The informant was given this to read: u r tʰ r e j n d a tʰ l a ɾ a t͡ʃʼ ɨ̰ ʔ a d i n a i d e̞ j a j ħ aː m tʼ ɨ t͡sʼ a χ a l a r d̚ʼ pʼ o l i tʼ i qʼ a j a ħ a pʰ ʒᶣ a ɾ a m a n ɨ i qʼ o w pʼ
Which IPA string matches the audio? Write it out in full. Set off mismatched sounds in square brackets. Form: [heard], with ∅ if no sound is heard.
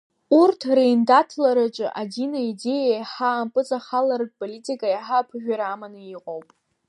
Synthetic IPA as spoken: u r tʰ r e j n d a tʰ l a ɾ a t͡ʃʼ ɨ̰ ʔ a d i n a i d e̞ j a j ħ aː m [pʼ] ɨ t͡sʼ a χ a l a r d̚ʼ pʼ o l i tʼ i [kʼ] a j a ħ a pʰ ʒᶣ a ɾ a m a n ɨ i qʼ o w pʼ

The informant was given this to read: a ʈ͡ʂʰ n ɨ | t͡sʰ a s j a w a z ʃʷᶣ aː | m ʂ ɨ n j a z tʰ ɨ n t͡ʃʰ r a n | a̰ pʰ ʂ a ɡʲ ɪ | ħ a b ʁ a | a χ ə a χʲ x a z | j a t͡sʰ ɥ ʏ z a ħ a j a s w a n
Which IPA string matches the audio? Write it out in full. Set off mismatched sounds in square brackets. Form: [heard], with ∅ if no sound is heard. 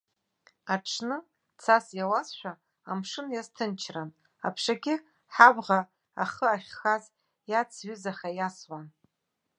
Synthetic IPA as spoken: a ʈ͡ʂʰ n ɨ | t͡sʰ a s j a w a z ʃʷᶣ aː | m ʂ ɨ n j a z tʰ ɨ n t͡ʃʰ r a n | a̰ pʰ ʂ a ɡʲ ɪ | ħ a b ʁ a | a χ ə a χʲ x a z | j a t͡sʰ ɥ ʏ z a [χ] a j a s w a n

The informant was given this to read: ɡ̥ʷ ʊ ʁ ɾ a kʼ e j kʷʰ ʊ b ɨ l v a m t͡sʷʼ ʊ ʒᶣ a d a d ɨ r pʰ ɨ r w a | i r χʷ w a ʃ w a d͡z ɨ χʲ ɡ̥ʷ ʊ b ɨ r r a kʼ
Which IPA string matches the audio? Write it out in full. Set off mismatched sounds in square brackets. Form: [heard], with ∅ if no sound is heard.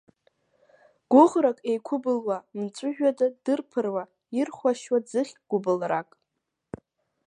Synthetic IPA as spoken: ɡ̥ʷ ʊ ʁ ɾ a kʼ e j kʷʰ ʊ b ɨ l [w] a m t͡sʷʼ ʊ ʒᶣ a d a d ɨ r pʰ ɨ r w a | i r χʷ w a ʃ w a d͡z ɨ χʲ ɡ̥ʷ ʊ b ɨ [l] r a kʼ

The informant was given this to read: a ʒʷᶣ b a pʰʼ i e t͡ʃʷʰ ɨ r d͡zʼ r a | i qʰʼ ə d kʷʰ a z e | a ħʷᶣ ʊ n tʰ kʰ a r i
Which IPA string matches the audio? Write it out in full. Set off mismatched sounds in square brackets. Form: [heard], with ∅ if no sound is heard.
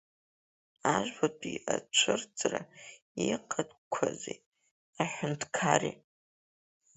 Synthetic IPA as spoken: a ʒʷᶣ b a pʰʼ i [a] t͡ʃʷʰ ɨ r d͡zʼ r a | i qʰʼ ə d kʷʰ a z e | a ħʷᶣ ʊ n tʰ kʰ a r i

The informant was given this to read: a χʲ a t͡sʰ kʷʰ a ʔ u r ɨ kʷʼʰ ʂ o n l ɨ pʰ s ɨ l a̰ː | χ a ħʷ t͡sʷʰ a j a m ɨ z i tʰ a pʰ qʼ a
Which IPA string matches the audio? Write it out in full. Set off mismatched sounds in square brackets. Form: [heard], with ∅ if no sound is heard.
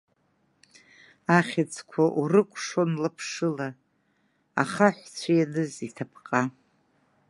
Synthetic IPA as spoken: a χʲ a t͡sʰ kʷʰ a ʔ u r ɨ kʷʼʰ ʂ o n l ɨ pʰ [ʂ] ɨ l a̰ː | χ a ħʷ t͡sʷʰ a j a [n] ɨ z i tʰ a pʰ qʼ a

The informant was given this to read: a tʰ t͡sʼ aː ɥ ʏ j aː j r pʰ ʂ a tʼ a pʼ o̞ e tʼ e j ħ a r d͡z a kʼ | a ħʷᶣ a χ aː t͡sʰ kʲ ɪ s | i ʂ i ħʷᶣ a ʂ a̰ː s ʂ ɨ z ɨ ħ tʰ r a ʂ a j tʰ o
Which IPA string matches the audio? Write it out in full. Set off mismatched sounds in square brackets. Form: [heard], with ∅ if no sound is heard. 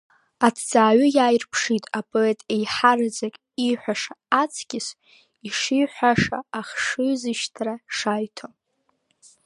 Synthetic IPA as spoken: a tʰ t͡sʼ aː ɥ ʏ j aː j r pʰ ʂ [i] tʼ a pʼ o̞ e tʼ e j ħ a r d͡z a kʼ | [i] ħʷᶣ a [ʂ] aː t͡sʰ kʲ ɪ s | i ʂ i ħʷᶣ a ʂ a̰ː [χ] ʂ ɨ z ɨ [ʃ] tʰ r a ʂ a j tʰ o

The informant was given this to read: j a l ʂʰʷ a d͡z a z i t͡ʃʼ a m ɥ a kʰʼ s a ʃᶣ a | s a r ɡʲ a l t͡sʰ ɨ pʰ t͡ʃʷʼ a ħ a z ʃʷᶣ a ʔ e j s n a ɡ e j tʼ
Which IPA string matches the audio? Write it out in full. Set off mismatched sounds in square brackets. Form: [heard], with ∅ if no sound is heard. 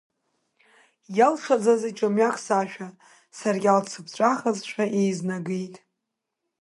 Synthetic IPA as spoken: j a l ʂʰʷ a d͡z a z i t͡ʃʼ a m ɥ a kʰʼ s a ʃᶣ a | s a r ɡʲ a l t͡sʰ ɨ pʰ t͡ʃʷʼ a [χ] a z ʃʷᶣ a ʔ e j [z] n a ɡ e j tʼ

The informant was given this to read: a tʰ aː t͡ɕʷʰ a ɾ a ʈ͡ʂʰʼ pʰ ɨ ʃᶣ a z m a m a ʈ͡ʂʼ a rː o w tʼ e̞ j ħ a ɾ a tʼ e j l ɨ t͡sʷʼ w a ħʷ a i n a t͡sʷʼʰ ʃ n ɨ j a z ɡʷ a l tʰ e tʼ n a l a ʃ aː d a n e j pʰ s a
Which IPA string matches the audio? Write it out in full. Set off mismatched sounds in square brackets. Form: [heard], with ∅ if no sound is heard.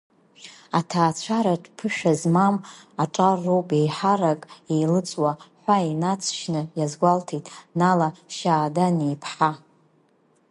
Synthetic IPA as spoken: a tʰ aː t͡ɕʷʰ a ɾ a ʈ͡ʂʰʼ pʰ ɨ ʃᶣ a z m a m a ʈ͡ʂʼ a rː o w [pʼ] e̞ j ħ a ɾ a [kʼ] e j l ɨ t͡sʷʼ w a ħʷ a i n a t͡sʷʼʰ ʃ n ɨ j a z ɡʷ a l tʰ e tʼ n a l a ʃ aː d a n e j pʰ [ħ] a

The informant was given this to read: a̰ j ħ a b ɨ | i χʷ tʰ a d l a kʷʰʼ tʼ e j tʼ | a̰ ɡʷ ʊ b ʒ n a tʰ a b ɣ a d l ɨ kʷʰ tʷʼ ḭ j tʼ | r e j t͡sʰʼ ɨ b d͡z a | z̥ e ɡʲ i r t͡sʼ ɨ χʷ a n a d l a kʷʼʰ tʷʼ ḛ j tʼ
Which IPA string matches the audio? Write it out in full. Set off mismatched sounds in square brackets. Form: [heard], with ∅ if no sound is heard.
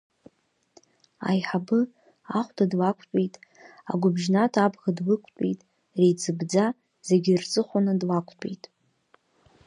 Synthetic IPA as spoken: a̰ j ħ a b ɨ | [a] χʷ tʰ a d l a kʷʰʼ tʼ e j tʼ | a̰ ɡʷ ʊ b ʒ n a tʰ a b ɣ a d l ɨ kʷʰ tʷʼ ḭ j tʼ | r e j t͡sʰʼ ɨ b d͡z a | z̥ e ɡʲ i r t͡sʼ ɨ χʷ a n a d l a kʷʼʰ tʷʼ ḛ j tʼ

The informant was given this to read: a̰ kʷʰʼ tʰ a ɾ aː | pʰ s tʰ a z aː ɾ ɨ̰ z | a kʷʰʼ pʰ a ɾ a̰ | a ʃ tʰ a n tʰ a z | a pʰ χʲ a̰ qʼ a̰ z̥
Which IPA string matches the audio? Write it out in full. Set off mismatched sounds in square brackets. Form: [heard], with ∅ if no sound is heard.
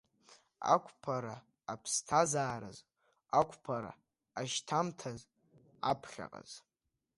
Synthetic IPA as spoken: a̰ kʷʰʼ [pʰ] a ɾ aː | pʰ s tʰ a z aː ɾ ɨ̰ z | a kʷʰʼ pʰ a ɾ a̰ | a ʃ tʰ a [m] tʰ a z | a pʰ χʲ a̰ qʼ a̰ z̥

